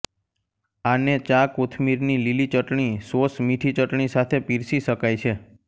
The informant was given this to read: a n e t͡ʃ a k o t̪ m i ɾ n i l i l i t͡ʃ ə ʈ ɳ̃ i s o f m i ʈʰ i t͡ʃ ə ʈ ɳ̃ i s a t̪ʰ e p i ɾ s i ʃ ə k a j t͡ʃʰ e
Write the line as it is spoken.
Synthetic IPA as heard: a n e t͡ʃ a k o t̪ʰ m i ɾ n i l i l i t͡ʃ ə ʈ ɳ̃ i s o s m i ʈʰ i t͡ʃ ə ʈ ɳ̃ i s a t̪ʰ e p i ɾ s i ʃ ə k a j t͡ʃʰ e